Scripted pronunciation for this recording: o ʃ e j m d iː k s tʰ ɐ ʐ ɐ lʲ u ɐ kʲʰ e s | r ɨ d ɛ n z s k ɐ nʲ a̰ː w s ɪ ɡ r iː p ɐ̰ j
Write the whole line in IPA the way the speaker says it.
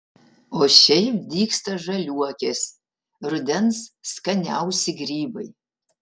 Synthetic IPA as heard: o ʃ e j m d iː k s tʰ ɐ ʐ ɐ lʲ u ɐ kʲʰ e s | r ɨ d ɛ n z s k ɐ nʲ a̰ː w s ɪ ɡ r iː b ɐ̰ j

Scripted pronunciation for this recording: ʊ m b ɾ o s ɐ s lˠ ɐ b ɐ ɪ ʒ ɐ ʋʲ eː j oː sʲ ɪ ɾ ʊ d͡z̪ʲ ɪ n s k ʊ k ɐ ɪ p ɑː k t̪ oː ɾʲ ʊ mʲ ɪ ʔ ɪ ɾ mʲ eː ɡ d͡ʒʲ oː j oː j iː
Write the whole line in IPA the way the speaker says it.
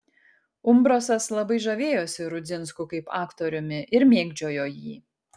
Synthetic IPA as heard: ʊ m b ɾ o s ɐ s lˠ ɐ b ɐ ɪ ʒ ɐ ʋʲ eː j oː sʲ ɪ ɾ ʊ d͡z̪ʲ ɪ n s k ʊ k ɐ ɪ p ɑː k t̪ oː ɾʲ ʊ mʲ ɪ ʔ ɪ ɾ mʲ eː ɡ d͡ʒʲ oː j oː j iː

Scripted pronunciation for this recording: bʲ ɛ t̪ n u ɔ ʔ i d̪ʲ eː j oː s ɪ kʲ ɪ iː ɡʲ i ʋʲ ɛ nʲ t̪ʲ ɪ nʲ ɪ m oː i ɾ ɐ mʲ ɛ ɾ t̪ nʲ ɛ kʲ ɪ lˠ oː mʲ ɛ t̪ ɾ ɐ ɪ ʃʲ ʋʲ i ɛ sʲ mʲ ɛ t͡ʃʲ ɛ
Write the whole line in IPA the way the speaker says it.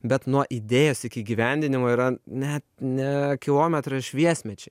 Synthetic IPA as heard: bʲ ɛ t̪ n u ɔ ʔ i d̪ʲ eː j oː s ɪ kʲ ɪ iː ɡʲ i ʋʲ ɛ nʲ d̪ʲ ɪ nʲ ɪ m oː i ɾ ɐ nʲ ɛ t̪ nʲ ɛ kʲ ɪ lˠ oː mʲ ɛ t̪ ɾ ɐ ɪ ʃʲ ʋʲ i ɛ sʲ mʲ ɛ t͡ʃʲ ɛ

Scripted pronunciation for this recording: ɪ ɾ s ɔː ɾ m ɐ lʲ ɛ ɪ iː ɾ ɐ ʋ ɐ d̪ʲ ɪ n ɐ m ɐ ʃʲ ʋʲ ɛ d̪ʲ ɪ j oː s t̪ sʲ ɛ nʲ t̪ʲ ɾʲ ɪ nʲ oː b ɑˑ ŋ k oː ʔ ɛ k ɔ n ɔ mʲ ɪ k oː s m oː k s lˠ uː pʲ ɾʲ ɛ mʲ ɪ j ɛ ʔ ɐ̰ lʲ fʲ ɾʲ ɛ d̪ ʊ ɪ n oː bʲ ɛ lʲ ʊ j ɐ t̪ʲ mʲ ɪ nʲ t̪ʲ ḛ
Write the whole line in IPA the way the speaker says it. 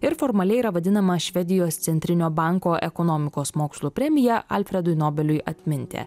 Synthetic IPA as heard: ɪ ɾ f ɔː ɾ m ɐ lʲ ɛ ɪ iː ɾ ɐ ʋ ɐ d̪ʲ ɪ n ɐ m ɐ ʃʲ ʋʲ ɛ d̪ʲ ɪ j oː s t̪ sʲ ɛ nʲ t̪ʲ ɾʲ ɪ nʲ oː b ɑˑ ŋ k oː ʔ ɛ k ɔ n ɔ mʲ ɪ k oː s m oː k s lˠ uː pʲ ɾʲ ɛ mʲ ɪ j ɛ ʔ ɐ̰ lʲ fʲ ɾʲ ɛ d̪ ʊ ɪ n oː bʲ ɛ lʲ ʊ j ɐ t̪ʲ mʲ ɪ nʲ t̪ʲ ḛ

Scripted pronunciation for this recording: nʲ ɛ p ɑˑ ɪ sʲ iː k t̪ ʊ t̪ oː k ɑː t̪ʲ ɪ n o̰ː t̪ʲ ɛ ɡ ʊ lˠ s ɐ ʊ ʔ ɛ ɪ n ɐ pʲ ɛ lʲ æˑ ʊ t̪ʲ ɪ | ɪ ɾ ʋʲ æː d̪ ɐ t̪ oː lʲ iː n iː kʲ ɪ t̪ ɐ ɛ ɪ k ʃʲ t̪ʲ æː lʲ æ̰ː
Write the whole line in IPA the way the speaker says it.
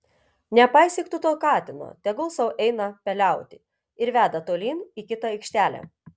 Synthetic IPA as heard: nʲ ɛ p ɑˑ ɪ sʲ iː k t̪ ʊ t̪ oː k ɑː t̪ʲ ɪ n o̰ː t̪ʲ ɛ ɡ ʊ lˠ s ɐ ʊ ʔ ɛ ɪ n ɐ pʲ ɛ lʲ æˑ ʊ t̪ʲ ɪ | ɪ ɾ ʋʲ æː d̪ ɐ t̪ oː lʲ iː n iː kʲ ɪ t̪ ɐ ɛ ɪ k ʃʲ t̪ʲ æː lʲ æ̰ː

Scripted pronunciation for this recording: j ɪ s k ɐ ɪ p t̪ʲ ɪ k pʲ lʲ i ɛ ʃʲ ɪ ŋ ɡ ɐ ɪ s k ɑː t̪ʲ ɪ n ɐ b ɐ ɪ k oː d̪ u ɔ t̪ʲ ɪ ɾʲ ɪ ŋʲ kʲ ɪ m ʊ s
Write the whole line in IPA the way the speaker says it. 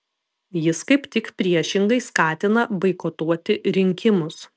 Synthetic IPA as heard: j ɪ s k ɐ ɪ p t̪ʲ ɪ k pʲ ɾʲ i ɛ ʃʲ ɪ ŋ ɡ ɐ ɪ s k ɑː t̪ʲ ɪ n ɐ b ɐ ɪ k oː t̪ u ɔ t̪ʲ ɪ ɾʲ ɪ ŋʲ kʲ ɪ m ʊ s

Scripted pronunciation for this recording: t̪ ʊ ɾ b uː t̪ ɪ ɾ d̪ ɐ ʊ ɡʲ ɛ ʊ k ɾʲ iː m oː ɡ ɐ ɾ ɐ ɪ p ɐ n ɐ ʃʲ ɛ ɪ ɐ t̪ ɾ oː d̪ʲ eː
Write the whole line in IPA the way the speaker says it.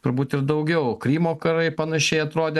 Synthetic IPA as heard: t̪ ʊ ɾ b uː t̪ ɪ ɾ d̪ ɐ ʊ ɡʲ ɛ ʊ k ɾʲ iː m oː k ɐ ɾ ɐ ɪ p ɐ n ɐ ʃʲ ɛ ɪ ɐ t̪ ɾ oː d̪ʲ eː

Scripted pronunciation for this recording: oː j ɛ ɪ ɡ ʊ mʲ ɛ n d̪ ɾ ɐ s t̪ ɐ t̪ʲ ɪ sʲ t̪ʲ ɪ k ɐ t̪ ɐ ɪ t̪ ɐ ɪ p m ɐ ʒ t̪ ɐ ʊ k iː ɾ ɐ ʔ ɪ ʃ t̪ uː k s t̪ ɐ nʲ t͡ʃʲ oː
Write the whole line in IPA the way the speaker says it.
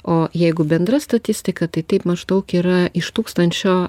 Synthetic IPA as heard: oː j ɛ ɪ ɡ ʊ bʲ ɛ n d̪ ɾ ɐ s t̪ ɐ t̪ʲ ɪ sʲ t̪ʲ ɪ k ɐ t̪ ɐ ɪ t̪ ɐ ɪ p m ɐ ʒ d̪ ɐ ʊ k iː ɾ ɐ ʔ ɪ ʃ t̪ uː k s t̪ ɐ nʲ t͡ʃʲ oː

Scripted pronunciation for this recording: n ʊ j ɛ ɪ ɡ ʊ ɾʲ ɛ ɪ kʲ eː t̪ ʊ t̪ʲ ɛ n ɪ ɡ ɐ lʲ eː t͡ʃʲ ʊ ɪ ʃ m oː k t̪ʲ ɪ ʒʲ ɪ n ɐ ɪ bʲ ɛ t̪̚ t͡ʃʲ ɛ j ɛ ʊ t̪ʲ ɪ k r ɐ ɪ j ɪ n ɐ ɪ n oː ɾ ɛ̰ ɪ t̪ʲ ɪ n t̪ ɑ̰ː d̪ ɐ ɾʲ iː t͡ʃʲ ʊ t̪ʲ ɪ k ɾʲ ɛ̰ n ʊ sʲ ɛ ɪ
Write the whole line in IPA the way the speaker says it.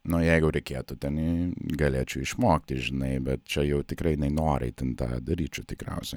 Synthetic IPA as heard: n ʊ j ɛ ɪ ɡ ʊ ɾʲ ɛ ɪ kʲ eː t̪ ʊ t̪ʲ ɛ n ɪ ɡ ɐ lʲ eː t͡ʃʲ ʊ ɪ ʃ m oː k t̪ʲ ɪ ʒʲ ɪ n ɐ ɪ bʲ ɛ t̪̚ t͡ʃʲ ɛ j ɛ ʊ t̪ʲ ɪ k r ɐ ɪ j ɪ n ɐ ɪ n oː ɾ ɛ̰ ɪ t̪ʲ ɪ n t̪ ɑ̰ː d̪ ɐ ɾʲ iː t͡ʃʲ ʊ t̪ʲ ɪ k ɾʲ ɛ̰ ʊ sʲ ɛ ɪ

